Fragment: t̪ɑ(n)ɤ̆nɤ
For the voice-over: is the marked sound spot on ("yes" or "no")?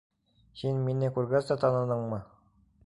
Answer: yes